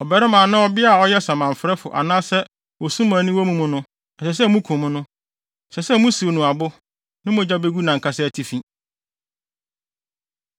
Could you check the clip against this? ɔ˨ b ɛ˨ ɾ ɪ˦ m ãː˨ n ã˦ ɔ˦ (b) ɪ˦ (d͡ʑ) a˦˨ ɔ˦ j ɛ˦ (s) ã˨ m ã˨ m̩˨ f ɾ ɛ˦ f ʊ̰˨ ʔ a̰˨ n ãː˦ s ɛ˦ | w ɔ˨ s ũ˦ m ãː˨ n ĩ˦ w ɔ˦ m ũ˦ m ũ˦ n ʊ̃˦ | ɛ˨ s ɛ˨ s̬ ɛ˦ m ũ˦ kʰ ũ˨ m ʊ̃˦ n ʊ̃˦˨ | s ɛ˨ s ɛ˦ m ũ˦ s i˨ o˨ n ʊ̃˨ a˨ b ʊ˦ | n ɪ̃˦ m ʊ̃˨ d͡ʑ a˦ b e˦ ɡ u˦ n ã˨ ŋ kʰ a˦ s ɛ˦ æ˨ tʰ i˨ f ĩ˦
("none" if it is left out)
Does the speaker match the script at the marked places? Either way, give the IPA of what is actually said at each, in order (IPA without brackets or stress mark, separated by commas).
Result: b, none, s